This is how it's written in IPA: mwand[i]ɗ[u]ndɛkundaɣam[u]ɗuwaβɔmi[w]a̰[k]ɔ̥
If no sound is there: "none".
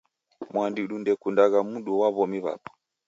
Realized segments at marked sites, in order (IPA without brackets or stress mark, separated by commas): i, u, u, β, p